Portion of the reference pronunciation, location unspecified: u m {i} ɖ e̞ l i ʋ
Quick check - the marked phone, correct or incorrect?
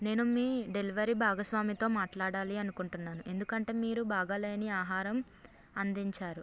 incorrect